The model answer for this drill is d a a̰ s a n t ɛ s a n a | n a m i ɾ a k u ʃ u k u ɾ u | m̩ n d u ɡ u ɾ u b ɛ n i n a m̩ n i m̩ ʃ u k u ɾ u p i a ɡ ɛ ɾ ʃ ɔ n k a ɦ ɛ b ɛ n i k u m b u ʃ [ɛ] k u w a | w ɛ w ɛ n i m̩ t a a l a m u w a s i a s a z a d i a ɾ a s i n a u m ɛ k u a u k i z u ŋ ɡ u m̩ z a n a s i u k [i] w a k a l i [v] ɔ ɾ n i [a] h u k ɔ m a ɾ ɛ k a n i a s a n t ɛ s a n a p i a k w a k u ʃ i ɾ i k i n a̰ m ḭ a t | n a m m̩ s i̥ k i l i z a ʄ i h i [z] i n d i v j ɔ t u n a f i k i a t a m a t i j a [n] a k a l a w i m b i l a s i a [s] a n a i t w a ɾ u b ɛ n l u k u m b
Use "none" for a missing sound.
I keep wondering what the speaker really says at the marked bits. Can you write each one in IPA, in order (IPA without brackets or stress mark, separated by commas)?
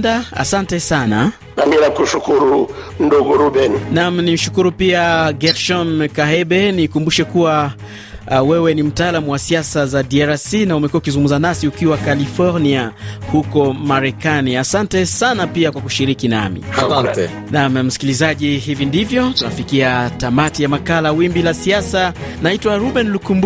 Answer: ɛ, i, f, a, v, m, s